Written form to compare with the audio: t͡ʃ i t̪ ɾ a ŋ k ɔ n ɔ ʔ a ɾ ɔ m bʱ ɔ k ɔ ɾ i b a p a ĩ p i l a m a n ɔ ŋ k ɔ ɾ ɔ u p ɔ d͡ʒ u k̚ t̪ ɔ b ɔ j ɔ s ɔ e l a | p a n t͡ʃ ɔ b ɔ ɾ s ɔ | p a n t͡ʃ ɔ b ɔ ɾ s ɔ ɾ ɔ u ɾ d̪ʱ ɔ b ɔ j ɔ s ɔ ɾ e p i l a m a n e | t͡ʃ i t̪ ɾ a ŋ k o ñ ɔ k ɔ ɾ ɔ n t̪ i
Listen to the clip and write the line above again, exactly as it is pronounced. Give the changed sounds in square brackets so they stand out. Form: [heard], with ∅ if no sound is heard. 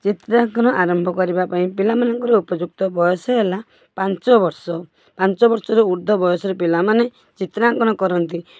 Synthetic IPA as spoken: t͡ʃ i t̪ ɾ a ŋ k ɔ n ɔ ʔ a ɾ ɔ m bʱ ɔ k ɔ ɾ i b a p a ĩ p i l a m a n ɔ ŋ k ɔ ɾ ɔ u p ɔ d͡ʒ u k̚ t̪ ɔ b ɔ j ɔ s ɔ e l a | p a n t͡ʃ ɔ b ɔ ɾ s ɔ | p a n t͡ʃ ɔ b ɔ ɾ s ɔ ɾ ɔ u ɾ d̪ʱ ɔ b ɔ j ɔ s ɔ ɾ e p i l a m a n e | t͡ʃ i t̪ ɾ a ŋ k [ɔ] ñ ɔ k ɔ ɾ ɔ n t̪ i

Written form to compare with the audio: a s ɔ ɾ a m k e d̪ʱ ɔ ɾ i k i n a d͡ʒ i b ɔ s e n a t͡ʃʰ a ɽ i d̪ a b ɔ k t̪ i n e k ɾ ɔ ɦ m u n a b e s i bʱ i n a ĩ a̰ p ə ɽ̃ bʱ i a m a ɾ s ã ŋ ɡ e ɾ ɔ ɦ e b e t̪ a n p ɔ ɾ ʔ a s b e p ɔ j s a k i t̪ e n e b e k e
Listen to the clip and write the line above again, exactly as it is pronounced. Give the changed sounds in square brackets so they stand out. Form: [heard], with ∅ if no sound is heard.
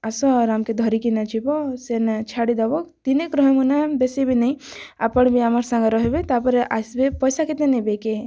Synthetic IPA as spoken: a s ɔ ɾ a m k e d̪ʱ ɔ ɾ i k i n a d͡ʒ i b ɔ s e n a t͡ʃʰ a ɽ i d̪ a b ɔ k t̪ i n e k ɾ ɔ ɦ m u n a b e s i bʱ i n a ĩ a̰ p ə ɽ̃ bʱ i a m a ɾ s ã ŋ ɡ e ɾ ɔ ɦ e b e t̪ a [∅] p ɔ ɾ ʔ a s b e p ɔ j s a k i t̪ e n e b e k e

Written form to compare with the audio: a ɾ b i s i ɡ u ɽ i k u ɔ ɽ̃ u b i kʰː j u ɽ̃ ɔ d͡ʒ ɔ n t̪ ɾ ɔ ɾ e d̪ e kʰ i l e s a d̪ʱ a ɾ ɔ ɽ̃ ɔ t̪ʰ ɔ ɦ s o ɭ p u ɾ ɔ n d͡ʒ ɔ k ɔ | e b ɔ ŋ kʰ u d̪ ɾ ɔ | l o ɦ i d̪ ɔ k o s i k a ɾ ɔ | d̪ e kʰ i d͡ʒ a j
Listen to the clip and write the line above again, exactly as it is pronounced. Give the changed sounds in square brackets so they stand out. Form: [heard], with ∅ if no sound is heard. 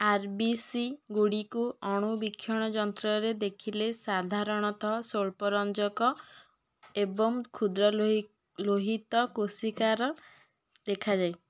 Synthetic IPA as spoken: a ɾ b i s i ɡ u ɽ i k u ɔ ɽ̃ u b i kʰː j [ɔ] ɽ̃ ɔ d͡ʒ ɔ n t̪ ɾ ɔ ɾ e d̪ e kʰ i l e s a d̪ʱ a ɾ ɔ ɽ̃ ɔ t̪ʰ ɔ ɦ s o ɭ p [ɔ] ɾ ɔ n d͡ʒ ɔ k ɔ | e b ɔ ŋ kʰ u d̪ ɾ ɔ | l o ɦ i [t̪] ɔ k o s i k a ɾ ɔ | d̪ e kʰ [a] d͡ʒ a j

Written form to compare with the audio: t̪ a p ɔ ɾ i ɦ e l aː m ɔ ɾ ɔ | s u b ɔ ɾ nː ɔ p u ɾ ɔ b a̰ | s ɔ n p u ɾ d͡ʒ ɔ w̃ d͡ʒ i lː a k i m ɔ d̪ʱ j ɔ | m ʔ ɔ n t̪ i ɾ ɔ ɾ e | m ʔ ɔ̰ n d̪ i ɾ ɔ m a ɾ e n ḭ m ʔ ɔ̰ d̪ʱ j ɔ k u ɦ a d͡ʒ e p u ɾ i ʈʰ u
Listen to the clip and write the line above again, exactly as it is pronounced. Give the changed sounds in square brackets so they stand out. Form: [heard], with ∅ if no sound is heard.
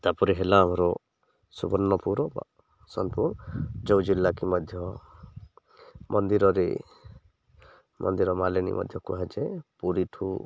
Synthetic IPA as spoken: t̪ a p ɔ ɾ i ɦ e l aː m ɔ ɾ ɔ | s u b ɔ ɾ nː ɔ p u ɾ ɔ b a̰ | s ɔ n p u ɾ d͡ʒ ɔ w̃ d͡ʒ i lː a k i m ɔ d̪ʱ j ɔ | m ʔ ɔ n [d̪] i ɾ ɔ ɾ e | m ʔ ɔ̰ n d̪ i ɾ ɔ m a [l] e n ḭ m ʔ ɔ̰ d̪ʱ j ɔ k u ɦ a d͡ʒ e p u ɾ i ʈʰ u

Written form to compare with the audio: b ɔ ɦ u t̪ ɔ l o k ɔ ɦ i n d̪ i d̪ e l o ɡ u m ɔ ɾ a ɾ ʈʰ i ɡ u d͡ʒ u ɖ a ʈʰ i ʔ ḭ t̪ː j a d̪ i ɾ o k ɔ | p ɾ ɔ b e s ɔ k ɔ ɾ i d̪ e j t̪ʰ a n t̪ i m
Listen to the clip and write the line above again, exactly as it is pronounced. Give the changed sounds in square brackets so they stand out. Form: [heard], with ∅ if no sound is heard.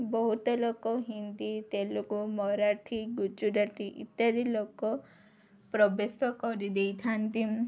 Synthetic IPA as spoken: b ɔ ɦ u t̪ ɔ l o k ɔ ɦ i n d̪ i [t̪] e l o [k] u m ɔ ɾ a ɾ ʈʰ i ɡ u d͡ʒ u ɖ a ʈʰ i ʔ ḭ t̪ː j a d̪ i [l] o k ɔ | p ɾ ɔ b e s ɔ k ɔ ɾ i d̪ e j t̪ʰ a n t̪ i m

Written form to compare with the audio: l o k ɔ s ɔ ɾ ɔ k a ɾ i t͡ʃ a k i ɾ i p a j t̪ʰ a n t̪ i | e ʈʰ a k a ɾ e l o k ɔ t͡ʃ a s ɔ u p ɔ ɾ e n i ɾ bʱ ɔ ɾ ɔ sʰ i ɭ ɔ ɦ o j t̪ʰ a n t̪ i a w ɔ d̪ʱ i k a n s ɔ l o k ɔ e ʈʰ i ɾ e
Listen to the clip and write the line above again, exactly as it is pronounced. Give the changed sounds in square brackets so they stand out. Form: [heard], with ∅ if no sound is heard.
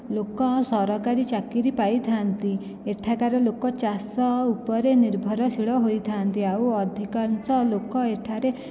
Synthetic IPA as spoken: l o k ɔ s ɔ ɾ ɔ k a ɾ i t͡ʃ a k i ɾ i p a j t̪ʰ a n t̪ i | e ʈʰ a k a ɾ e l o k ɔ t͡ʃ a s ɔ u p ɔ ɾ e n i ɾ bʱ ɔ ɾ ɔ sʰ i ɭ ɔ ɦ o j t̪ʰ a n t̪ i a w ɔ d̪ʱ i k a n s ɔ l o k ɔ e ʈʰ [a] ɾ e

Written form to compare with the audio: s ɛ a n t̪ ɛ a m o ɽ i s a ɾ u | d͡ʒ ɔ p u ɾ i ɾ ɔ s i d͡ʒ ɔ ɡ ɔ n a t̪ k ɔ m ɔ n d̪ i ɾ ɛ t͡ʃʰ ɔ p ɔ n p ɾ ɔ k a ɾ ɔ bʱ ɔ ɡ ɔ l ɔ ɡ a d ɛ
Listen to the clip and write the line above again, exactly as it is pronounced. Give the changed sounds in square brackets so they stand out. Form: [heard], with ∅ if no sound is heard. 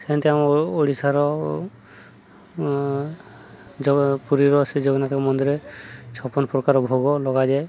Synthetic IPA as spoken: s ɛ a n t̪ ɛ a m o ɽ i s a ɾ [ɔ] | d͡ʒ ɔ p u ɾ i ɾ ɔ s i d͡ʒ ɔ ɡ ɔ n a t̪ k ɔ m ɔ n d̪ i ɾ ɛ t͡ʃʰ ɔ p ɔ n p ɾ ɔ k a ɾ ɔ bʱ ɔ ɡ ɔ l ɔ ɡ a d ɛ

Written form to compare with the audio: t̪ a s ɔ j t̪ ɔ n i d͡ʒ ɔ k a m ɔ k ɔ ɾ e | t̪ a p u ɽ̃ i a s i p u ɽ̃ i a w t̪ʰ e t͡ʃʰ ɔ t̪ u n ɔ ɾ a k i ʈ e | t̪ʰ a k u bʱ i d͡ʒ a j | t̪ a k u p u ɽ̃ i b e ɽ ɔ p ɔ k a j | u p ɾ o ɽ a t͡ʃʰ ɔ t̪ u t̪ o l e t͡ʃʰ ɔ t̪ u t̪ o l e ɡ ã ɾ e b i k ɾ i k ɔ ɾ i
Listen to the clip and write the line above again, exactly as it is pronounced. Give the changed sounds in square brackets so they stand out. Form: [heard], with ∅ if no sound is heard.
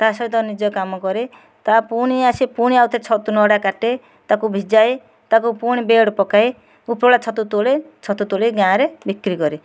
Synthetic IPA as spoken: t̪ a s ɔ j t̪ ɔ n i d͡ʒ ɔ k a m ɔ k ɔ ɾ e | t̪ a p u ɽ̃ i a s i p u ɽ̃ i a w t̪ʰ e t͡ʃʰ ɔ t̪ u n ɔ [ɽ] a k [a] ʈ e | [t̪] a k u bʱ i d͡ʒ a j | t̪ a k u p u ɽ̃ i b e ɽ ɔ p ɔ k a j | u p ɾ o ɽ a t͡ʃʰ ɔ t̪ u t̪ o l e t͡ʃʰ ɔ t̪ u t̪ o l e ɡ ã ɾ e b i k ɾ i k ɔ ɾ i

